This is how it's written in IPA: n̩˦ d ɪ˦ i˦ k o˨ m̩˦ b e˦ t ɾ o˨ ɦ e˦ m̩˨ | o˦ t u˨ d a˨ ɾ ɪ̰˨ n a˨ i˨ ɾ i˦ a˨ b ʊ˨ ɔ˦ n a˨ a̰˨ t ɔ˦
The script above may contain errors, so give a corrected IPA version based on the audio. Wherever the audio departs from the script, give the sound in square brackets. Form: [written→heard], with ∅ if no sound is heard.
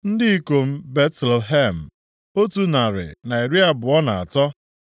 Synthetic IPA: n̩˦ d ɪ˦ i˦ k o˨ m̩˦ b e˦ t [ɾ→l] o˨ ɦ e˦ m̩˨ | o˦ t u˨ [d→n] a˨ ɾ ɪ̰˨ n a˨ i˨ ɾ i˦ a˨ b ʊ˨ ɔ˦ n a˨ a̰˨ t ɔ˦